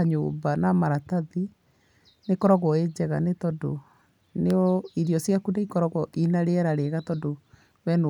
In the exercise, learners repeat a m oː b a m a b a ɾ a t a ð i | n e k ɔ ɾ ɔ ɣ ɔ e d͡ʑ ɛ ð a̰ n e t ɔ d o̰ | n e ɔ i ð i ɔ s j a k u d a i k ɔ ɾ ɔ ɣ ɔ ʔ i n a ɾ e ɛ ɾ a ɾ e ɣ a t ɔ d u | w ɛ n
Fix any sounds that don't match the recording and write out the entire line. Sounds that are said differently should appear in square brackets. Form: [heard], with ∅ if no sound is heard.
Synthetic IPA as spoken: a [ɲ] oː b a [n] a [m] a ɾ a t a ð i | n e k ɔ ɾ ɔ ɣ ɔ e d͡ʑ ɛ [ɣ] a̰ n e t ɔ d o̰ | n e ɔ i ð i ɔ s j a k u d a i k ɔ ɾ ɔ ɣ ɔ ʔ i n a ɾ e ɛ ɾ a ɾ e ɣ a t ɔ d [o] | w ɛ n